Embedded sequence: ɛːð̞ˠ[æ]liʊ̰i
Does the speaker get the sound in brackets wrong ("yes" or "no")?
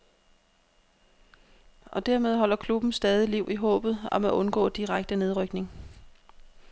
yes